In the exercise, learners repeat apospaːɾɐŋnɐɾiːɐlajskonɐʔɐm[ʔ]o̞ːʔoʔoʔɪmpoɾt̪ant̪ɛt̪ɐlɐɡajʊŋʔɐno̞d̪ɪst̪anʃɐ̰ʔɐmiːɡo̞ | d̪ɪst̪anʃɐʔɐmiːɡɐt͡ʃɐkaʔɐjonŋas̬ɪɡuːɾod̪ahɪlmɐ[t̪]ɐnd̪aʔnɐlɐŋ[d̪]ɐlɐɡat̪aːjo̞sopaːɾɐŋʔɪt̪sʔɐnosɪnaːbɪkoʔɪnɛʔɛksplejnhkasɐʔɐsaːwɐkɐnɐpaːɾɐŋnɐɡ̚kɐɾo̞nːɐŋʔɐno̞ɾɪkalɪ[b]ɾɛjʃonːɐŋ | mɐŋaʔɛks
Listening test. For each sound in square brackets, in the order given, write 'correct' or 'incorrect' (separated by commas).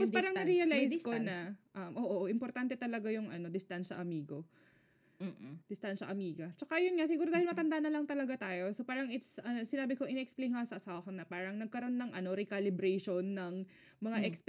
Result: correct, correct, incorrect, correct